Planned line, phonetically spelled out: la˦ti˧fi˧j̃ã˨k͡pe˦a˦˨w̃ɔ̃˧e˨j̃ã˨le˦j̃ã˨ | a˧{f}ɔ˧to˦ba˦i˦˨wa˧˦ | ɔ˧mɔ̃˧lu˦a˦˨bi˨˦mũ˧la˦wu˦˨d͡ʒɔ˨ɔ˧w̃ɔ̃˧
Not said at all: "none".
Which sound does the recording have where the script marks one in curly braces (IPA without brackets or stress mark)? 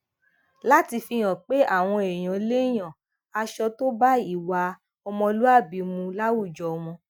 ʃ